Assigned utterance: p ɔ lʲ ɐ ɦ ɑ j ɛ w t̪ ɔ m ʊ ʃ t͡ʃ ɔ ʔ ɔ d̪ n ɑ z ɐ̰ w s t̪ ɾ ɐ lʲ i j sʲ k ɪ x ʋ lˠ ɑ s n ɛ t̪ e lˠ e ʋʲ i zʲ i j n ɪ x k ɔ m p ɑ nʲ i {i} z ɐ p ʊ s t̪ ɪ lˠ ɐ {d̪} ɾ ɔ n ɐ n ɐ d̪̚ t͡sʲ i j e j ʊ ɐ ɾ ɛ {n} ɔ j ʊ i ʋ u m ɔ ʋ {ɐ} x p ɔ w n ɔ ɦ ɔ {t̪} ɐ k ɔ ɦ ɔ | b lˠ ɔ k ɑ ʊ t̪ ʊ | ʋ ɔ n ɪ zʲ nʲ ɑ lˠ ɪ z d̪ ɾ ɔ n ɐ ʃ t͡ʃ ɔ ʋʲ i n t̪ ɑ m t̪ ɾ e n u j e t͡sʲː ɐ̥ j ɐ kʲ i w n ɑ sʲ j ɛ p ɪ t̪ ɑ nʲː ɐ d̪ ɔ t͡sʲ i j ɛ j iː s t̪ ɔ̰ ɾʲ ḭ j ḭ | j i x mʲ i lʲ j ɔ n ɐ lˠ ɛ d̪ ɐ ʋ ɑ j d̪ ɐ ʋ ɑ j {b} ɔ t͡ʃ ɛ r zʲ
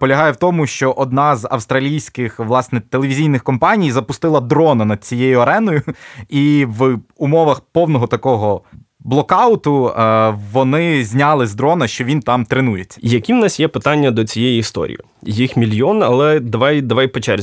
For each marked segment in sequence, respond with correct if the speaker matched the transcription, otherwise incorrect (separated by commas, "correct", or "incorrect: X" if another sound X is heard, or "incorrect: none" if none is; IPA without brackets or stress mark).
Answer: incorrect: j, correct, correct, correct, correct, incorrect: p